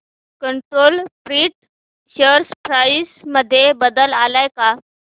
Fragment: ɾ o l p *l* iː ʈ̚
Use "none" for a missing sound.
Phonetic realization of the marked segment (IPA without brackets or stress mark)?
ɾ